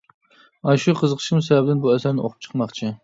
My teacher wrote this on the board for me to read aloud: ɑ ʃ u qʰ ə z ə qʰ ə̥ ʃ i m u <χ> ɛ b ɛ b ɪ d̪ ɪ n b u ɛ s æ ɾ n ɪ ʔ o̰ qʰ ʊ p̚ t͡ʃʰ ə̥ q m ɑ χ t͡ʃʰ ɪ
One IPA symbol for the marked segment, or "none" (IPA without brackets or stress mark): s